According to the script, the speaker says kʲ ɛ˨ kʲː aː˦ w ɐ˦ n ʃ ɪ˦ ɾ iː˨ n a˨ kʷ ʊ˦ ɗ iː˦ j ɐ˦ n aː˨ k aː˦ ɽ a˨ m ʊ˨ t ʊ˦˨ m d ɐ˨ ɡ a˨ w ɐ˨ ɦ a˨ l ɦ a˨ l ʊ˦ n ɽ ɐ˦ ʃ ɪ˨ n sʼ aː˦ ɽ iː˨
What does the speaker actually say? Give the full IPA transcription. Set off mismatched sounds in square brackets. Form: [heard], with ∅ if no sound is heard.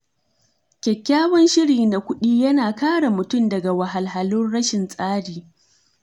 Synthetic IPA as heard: kʲ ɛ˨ kʲː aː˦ w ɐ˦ n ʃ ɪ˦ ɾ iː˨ n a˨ kʷ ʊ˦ ɗ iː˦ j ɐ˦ n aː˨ k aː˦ ɽ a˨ m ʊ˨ t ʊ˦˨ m d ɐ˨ ɡ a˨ w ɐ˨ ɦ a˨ l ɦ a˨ l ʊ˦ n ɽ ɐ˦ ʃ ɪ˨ n sʼ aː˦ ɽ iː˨

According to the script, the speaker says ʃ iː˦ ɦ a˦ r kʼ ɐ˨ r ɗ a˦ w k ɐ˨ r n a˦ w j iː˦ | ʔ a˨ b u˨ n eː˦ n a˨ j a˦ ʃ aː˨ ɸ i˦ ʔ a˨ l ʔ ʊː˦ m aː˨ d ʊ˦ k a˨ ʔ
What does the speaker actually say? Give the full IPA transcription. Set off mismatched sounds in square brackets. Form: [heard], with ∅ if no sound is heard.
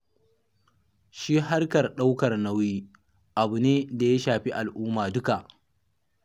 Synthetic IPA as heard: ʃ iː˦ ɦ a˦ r [k] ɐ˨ r ɗ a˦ w k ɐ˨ r n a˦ w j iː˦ | ʔ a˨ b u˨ n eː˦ [d] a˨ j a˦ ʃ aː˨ ɸ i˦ ʔ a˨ l ʔ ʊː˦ m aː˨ d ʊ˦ k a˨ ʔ

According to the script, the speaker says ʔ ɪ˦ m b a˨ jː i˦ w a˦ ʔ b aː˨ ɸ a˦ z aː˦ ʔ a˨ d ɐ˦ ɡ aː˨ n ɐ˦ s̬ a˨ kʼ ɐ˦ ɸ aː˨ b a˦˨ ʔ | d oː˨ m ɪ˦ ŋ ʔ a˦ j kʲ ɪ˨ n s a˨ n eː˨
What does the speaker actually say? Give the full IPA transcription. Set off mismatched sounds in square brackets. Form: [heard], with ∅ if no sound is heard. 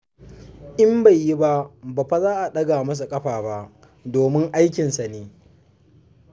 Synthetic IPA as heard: ʔ ɪ˦ m b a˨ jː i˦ [b] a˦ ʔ b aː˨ ɸ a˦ z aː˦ ʔ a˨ [ɗ] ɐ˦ ɡ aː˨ [m] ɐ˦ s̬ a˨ kʼ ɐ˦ ɸ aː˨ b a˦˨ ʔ | d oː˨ m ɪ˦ ŋ ʔ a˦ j kʲ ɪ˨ n s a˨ n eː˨

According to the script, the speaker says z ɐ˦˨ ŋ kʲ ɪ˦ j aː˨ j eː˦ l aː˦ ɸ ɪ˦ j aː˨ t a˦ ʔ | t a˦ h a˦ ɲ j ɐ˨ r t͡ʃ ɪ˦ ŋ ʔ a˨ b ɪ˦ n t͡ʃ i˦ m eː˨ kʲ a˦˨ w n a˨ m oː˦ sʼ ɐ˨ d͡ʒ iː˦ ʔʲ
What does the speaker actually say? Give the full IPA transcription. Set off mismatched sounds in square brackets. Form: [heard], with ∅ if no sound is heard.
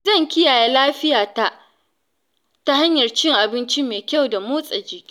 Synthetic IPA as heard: z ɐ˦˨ ŋ kʲ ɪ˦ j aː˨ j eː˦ l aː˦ ɸ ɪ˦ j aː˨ t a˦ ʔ | t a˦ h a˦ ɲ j ɐ˨ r t͡ʃ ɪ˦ ŋ ʔ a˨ b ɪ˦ n t͡ʃ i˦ m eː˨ kʲ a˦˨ w [d] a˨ m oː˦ sʼ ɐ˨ d͡ʒ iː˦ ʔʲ

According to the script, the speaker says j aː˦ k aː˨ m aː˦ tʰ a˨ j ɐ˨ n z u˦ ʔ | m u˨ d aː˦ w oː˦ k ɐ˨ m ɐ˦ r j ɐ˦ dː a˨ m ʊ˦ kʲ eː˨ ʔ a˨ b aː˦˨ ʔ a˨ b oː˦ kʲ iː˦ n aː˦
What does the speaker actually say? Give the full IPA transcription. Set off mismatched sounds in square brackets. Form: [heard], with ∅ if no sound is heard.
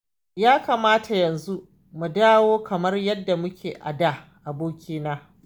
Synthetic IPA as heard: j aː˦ k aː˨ m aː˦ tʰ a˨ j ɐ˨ n z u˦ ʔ | m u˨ d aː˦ w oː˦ k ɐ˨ m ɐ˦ r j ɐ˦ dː a˨ m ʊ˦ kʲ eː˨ ʔ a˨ [d] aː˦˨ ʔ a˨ b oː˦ kʲ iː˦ n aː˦

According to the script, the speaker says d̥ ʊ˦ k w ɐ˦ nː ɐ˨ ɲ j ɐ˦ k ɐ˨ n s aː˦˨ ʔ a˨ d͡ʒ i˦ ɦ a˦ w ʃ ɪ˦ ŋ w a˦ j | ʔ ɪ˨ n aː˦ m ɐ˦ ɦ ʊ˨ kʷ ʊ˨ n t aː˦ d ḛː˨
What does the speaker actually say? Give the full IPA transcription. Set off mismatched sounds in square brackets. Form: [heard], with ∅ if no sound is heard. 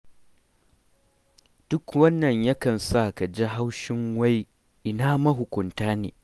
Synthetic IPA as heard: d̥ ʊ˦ k w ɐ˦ nː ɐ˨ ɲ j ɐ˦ k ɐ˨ n s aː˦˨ [k] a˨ d͡ʒ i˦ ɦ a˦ w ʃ ɪ˦ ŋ w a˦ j | ʔ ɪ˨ n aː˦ m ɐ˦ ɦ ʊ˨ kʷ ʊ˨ n t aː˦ [n] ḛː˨

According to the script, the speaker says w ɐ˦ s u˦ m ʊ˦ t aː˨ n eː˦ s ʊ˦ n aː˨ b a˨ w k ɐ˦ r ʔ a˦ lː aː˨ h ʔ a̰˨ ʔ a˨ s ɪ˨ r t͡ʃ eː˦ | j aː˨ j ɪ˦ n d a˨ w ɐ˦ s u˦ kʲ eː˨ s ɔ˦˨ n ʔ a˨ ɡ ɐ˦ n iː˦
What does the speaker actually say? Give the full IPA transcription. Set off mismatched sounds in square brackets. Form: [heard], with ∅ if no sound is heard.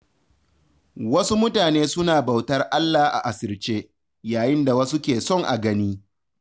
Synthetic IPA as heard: w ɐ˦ s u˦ m ʊ˦ t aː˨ n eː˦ s ʊ˦ n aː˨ b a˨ w [t] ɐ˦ r ʔ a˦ lː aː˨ h ʔ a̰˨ ʔ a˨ s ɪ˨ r t͡ʃ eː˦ | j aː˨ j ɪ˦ n d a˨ w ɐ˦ s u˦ kʲ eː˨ s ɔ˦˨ [ŋ] ʔ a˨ ɡ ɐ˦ n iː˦

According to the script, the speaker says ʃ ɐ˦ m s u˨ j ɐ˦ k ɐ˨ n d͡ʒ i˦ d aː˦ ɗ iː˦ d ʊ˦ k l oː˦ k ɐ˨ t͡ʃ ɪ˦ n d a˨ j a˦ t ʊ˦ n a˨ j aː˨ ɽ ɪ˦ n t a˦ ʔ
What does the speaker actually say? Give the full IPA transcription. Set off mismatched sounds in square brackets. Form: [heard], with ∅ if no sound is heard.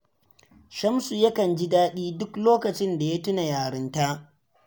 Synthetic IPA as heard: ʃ ɐ˦ m s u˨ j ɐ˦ k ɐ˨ n d͡ʒ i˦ d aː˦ ɗ iː˦ d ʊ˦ k l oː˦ k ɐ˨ t͡ʃ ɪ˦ n d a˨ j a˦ t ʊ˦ n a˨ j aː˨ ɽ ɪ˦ n t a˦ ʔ

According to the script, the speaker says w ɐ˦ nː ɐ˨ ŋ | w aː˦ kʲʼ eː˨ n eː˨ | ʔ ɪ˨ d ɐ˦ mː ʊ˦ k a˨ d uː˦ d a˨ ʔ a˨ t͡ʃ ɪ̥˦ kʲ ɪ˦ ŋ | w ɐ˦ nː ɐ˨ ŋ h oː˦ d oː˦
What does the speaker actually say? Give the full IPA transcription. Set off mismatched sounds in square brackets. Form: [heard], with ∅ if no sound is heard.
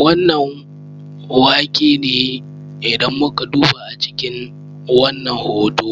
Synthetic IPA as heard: w ɐ˦ nː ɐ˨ ŋ | w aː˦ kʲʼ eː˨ n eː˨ | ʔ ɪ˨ d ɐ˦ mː ʊ˦ k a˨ d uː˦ [b] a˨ ʔ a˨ t͡ʃ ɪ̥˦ kʲ ɪ˦ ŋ | w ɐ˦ nː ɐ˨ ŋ h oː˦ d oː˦

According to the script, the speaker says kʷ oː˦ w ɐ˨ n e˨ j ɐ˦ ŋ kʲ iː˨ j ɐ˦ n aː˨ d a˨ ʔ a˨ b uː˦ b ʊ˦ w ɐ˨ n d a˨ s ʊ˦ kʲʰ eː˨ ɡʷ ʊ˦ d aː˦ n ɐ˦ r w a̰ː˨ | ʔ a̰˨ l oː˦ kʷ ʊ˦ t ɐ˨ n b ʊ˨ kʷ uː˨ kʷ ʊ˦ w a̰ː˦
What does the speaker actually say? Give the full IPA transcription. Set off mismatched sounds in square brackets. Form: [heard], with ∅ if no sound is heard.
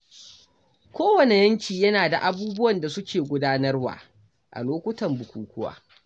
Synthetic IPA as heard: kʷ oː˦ w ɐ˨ n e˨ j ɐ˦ ŋ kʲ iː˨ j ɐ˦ n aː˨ d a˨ ʔ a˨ b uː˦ b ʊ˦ w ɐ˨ n d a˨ s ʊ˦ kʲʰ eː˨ ɡʷ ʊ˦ d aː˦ n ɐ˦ r w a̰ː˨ | ʔ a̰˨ l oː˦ kʷ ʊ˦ t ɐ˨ [m] b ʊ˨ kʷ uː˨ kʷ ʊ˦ w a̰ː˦

